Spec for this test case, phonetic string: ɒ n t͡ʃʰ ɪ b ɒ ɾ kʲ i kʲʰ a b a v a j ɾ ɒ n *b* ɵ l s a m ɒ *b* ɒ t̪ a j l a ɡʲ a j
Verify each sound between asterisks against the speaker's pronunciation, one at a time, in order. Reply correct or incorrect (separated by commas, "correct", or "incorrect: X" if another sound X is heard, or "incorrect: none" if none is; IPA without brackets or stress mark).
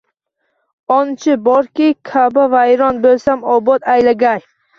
correct, correct